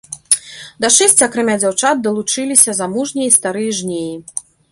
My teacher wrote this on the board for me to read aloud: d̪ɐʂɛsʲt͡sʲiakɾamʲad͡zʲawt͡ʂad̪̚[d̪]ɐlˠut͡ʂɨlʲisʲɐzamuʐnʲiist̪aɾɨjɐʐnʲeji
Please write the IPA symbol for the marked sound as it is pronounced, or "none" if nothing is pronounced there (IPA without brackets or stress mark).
d̪